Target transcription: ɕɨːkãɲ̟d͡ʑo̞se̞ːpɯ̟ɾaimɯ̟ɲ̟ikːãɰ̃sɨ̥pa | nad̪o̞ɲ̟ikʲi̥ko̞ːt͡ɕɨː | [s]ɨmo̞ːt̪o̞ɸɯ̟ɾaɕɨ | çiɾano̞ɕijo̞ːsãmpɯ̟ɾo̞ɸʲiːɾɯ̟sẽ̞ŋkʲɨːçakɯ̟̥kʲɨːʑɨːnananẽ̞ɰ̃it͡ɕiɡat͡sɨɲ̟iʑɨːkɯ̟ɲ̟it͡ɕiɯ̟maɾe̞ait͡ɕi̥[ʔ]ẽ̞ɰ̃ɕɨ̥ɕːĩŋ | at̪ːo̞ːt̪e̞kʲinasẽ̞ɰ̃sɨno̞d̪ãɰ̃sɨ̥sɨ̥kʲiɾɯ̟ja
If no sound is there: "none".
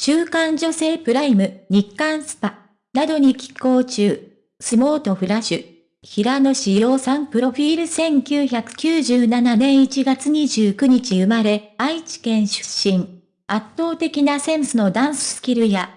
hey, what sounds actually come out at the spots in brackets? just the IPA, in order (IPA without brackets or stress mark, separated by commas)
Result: s, k